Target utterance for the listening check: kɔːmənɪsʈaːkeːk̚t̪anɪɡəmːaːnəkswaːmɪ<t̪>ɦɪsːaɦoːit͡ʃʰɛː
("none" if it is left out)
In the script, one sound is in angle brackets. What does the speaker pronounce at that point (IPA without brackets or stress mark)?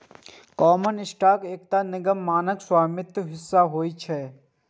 t̪